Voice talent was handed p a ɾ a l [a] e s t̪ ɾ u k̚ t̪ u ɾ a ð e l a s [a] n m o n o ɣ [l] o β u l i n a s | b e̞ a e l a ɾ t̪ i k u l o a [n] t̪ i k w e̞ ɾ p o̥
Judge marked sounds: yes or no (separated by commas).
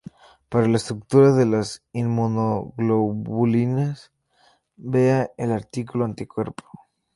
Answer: yes, no, yes, yes